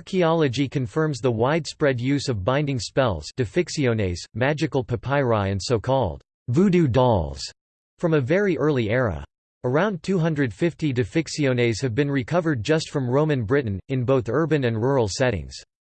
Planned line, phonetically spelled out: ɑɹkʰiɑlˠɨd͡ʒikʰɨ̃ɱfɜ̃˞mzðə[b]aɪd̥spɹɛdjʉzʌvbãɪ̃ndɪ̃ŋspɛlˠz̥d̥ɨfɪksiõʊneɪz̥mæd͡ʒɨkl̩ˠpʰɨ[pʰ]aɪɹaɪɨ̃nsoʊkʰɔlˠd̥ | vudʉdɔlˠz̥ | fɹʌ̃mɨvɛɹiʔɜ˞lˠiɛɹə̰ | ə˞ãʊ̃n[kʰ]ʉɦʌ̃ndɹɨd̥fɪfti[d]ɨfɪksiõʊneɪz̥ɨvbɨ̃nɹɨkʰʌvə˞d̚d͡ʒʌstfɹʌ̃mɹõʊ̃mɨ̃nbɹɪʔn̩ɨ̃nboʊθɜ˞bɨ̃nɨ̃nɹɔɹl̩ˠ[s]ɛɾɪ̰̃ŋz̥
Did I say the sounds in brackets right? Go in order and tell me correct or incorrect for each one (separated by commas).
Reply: incorrect, correct, incorrect, correct, correct